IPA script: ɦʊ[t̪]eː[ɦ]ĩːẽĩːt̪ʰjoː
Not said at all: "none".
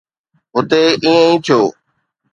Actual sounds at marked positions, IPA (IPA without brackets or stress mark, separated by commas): t̪, none